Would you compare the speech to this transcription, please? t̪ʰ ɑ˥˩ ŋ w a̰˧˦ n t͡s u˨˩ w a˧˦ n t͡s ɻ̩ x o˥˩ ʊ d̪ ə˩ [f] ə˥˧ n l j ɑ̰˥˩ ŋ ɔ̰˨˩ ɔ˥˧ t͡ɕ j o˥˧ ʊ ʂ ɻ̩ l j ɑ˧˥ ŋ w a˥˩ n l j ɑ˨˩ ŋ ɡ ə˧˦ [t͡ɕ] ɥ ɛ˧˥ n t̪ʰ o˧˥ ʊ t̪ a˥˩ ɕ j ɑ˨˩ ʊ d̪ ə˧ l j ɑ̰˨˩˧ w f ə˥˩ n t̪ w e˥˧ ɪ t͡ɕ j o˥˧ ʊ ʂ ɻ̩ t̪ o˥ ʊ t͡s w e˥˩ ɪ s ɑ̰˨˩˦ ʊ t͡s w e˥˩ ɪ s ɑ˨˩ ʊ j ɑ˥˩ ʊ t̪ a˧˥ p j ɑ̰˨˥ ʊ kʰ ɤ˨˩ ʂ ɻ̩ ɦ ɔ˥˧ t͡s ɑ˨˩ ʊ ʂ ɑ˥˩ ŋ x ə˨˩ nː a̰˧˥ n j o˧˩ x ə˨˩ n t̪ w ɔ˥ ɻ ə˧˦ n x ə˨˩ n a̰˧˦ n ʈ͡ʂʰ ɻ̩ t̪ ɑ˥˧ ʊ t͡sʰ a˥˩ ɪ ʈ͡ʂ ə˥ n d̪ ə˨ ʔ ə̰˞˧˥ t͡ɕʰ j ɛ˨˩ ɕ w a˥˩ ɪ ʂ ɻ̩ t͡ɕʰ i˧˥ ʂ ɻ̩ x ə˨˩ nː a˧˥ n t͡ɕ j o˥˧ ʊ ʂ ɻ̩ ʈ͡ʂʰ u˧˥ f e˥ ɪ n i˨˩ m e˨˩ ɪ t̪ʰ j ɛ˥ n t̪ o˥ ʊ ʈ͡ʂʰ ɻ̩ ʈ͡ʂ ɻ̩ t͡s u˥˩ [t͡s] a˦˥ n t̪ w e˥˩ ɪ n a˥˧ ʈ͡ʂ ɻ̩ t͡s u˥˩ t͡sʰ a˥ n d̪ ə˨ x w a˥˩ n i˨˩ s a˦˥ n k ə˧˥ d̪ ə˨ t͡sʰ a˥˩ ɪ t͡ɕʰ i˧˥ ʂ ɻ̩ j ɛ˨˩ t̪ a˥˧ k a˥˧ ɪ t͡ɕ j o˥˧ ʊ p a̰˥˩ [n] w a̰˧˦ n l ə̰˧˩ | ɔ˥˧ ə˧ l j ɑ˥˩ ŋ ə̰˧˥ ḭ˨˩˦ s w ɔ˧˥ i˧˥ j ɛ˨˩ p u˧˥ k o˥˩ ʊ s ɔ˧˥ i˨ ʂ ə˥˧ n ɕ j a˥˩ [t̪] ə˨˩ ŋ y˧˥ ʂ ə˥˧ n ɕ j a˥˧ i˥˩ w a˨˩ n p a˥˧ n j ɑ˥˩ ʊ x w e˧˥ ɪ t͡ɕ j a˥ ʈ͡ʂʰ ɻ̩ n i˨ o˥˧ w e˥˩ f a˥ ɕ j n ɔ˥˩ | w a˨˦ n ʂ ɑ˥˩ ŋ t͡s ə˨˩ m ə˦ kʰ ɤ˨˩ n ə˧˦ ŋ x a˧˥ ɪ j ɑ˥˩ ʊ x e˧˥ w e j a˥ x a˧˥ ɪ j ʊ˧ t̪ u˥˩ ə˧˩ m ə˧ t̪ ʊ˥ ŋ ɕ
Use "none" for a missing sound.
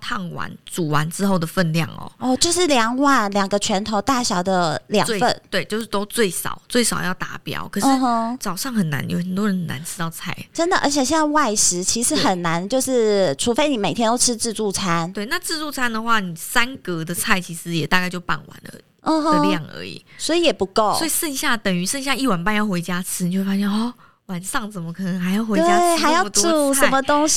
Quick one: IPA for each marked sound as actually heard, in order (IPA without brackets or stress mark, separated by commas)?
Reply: f, t͡ɕʰ, t͡sʰ, n, t̪